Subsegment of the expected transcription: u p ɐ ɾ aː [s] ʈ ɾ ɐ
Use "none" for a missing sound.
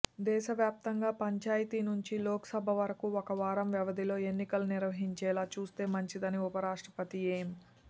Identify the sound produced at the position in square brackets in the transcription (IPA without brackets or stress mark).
ʂ